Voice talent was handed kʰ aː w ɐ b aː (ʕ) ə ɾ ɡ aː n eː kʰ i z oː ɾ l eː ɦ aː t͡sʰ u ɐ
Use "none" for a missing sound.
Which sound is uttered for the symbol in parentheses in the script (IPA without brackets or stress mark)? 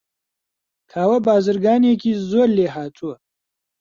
z